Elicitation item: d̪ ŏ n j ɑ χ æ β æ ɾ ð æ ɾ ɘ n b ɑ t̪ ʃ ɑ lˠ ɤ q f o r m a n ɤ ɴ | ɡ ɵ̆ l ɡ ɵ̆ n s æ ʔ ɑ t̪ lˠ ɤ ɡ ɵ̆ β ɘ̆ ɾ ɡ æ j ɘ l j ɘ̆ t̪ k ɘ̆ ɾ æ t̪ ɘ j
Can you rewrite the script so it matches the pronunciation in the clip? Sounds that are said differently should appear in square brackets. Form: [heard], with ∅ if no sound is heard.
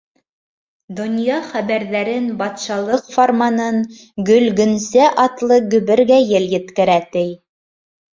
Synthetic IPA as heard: d̪ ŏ n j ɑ χ æ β æ ɾ ð æ ɾ ɘ n b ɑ t̪ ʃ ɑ lˠ ɤ q f o r m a n ɤ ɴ | ɡ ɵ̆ l ɡ ɵ̆ n s æ ʔ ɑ t̪ lˠ ɤ ɡ ɵ̆ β ɘ̆ ɾ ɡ æ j ɘ l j ɘ̆ t̪ k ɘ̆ ɾ æ t̪ ɘ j